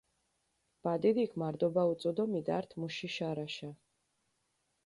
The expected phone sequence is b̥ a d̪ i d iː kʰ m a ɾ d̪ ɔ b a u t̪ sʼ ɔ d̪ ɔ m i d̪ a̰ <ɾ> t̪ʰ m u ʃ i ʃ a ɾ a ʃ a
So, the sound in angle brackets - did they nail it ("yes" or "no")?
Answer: yes